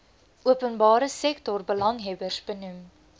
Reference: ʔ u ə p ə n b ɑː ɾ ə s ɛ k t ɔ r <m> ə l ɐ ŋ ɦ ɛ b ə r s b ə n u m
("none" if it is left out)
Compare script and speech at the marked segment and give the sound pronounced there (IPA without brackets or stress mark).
b